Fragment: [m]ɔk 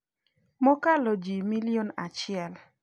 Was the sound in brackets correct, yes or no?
yes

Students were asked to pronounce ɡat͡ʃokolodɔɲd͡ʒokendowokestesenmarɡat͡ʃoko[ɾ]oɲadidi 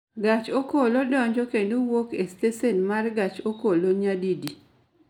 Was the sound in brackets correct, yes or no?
no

